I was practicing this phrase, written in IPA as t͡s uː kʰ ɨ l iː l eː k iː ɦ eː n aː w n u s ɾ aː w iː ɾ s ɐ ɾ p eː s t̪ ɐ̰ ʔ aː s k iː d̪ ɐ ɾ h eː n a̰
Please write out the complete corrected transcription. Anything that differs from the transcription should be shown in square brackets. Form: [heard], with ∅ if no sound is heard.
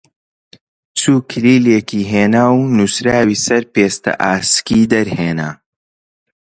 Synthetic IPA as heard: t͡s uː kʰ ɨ l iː l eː k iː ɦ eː n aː w n u s ɾ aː w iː [∅] s ɐ ɾ p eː s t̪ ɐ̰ ʔ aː s k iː d̪ ɐ ɾ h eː n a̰

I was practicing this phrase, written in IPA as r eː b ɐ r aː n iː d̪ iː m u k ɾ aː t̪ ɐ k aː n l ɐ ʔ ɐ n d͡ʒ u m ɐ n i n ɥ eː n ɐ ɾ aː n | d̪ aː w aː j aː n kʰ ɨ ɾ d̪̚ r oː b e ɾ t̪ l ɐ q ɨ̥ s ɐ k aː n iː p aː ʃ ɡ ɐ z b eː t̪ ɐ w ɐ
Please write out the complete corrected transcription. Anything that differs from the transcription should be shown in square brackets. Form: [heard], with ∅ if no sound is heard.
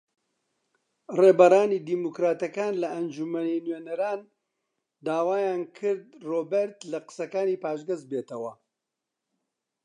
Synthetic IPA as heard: r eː b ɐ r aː n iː d̪ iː m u k ɾ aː t̪ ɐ k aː n l ɐ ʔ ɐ n d͡ʒ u m ɐ n i n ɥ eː n ɐ ɾ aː n | d̪ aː w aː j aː n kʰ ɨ ɾ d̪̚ r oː b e ɾ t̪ l ɐ q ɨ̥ s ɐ k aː n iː p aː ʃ ɡ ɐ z b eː t̪ ɐ w ɐ

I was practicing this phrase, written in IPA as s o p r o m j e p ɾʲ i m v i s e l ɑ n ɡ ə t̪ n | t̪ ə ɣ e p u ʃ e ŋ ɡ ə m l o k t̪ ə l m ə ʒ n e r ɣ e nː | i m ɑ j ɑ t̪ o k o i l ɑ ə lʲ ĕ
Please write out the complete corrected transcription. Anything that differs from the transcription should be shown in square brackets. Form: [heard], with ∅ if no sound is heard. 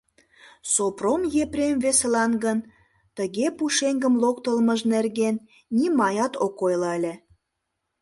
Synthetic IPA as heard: s o p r o m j e p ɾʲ [e] m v [e] s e l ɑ n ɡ ə [∅] n | t̪ ə ɣ e p u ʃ e ŋ ɡ ə m l o k t̪ ə l m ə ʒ n e r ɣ e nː | i m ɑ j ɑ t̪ o k o [j] l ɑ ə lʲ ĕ

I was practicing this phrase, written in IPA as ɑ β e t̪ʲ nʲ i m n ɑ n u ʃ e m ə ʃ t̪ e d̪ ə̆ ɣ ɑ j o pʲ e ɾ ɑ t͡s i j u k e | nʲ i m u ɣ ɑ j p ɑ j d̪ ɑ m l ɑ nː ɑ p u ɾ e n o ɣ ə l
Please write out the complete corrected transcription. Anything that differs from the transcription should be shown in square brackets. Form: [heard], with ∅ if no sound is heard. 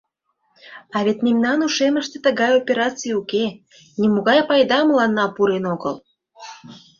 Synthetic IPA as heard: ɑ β e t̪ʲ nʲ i m n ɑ n u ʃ e m ə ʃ t̪ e [t̪] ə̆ ɣ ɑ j o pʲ e ɾ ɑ t͡s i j u k e | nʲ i m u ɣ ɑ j p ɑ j d̪ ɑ m l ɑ nː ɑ p u ɾ e n o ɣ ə l

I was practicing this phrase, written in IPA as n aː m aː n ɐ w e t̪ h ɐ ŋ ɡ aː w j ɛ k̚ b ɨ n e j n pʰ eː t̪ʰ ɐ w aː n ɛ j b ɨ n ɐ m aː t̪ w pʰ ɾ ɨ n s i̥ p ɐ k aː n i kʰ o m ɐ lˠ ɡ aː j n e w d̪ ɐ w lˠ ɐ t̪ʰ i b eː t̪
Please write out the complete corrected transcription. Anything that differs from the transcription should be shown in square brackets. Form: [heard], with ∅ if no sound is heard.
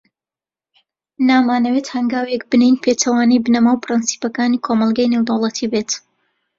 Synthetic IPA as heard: n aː m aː n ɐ w e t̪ h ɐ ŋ ɡ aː w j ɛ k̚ b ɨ n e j n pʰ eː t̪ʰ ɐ w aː n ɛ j b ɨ n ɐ m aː [∅] w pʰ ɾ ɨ n s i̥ p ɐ k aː n i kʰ o m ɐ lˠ ɡ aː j n e w d̪ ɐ w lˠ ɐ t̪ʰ i b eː t̪

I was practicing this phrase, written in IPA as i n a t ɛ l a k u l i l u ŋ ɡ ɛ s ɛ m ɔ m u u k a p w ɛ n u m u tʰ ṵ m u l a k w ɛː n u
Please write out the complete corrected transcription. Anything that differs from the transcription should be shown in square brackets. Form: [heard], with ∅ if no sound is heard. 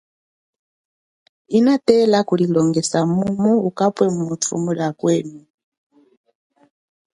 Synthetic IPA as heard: i n a t ɛ l a k u l i l [ɔ] ŋ ɡ ɛ s [a] m [u] m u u k a p w ɛ [m] u m u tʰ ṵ m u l a k w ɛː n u

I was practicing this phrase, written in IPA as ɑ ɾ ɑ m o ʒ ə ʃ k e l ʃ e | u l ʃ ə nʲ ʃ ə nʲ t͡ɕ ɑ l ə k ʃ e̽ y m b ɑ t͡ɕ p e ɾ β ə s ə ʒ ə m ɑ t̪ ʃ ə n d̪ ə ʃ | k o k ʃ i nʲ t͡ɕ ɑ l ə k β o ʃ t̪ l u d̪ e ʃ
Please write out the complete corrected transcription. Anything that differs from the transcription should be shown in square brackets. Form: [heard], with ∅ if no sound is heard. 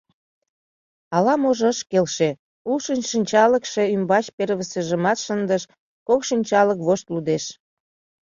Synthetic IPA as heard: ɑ [l] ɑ m o ʒ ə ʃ k e l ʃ e | u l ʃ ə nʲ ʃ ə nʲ t͡ɕ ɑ l ə k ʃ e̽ y m b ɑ t͡ɕ p e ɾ β ə s ə ʒ ə m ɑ t̪ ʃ ə n d̪ ə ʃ | k o k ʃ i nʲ t͡ɕ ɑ l ə k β o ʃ t̪ l u d̪ e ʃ

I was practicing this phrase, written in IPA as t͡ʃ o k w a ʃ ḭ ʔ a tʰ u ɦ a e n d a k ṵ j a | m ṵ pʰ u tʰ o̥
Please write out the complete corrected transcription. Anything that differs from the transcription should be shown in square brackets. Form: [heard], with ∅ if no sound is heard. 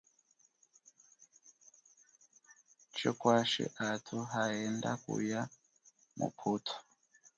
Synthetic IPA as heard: t͡ʃ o k w a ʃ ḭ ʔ a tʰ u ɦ a e n d a k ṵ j a | m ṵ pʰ u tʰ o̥

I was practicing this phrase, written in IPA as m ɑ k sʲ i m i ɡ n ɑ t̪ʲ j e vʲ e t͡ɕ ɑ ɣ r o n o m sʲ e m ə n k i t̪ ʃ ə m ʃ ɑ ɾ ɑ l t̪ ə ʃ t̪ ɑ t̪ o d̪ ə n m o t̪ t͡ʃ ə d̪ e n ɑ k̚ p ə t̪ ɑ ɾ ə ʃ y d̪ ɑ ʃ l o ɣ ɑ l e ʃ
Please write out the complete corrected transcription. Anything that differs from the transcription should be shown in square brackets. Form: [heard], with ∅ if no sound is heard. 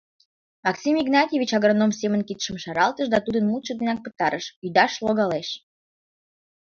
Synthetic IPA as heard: m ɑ k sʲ i m i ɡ n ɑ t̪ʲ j e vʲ [i] t͡ɕ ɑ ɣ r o n o m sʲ e m ə n k i t̪ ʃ ə m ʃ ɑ ɾ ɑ l t̪ ə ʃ [d̪] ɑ t̪ [u] d̪ ə n m [u] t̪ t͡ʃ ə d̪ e n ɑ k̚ p ə t̪ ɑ ɾ ə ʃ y d̪ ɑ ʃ l o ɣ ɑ l e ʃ

